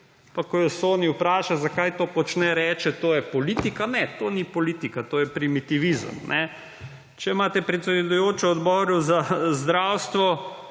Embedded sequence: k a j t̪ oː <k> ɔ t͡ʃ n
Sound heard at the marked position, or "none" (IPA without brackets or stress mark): p